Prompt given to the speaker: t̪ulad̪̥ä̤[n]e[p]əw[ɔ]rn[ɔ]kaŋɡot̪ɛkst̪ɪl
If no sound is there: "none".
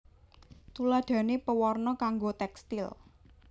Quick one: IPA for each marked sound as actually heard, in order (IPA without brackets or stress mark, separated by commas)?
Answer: n, p, ɔ, ɔ